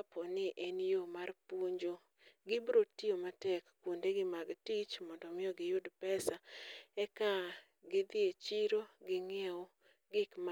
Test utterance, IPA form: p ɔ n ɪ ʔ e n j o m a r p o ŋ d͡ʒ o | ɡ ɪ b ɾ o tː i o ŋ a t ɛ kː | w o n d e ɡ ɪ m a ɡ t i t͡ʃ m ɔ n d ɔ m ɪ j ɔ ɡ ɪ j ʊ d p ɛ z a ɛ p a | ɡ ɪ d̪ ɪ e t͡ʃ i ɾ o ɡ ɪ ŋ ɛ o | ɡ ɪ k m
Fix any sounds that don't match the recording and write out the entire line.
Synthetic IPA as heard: p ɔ n ɪ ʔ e n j o m a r p o ɲ d͡ʒ o | ɡ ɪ b ɾ o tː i o m a t ɛ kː | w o n d e ɡ ɪ m a ɡ t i t͡ʃ m ɔ n d ɔ m ɪ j ɔ ɡ ɪ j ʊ d p ɛ s a ɛ k a | ɡ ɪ d̪ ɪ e t͡ʃ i ɾ o ɡ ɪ ŋ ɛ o | ɡ ɪ k m